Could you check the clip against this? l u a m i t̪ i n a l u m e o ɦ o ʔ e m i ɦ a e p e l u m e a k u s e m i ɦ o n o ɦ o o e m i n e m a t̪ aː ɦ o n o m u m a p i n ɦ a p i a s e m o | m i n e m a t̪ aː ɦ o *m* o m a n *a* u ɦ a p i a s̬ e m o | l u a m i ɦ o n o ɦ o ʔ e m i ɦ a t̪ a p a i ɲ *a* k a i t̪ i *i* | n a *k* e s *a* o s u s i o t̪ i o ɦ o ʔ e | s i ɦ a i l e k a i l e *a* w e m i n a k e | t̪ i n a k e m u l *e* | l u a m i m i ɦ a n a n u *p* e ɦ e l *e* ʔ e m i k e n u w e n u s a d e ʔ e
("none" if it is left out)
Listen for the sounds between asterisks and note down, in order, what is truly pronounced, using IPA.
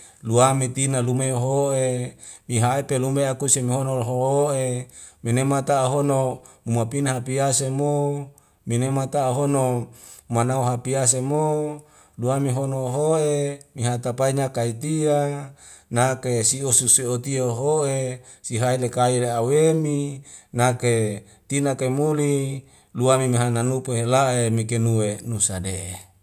n, a, a, a, k, i, a, i, p, a

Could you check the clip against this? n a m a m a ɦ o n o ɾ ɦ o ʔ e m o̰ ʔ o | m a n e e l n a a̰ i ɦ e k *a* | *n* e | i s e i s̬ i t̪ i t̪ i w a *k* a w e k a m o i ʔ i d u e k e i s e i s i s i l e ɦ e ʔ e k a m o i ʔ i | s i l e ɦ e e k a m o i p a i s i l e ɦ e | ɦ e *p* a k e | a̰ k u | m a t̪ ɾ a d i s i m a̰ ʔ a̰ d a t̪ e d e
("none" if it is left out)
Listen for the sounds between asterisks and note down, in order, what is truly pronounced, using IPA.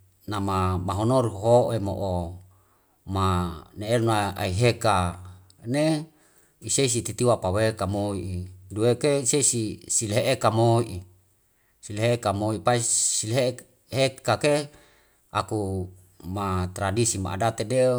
a, n, p, k

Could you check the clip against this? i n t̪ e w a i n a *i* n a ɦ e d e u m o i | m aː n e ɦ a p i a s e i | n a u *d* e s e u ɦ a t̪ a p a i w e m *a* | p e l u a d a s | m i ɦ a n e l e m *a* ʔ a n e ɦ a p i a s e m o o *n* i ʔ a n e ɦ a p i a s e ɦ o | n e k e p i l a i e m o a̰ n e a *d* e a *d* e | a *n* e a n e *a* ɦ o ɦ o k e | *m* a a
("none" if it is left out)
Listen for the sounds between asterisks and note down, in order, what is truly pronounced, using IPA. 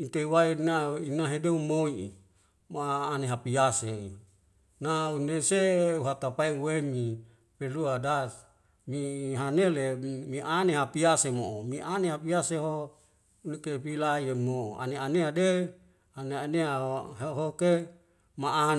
i, n, i, i, m, n, d, n, a, m

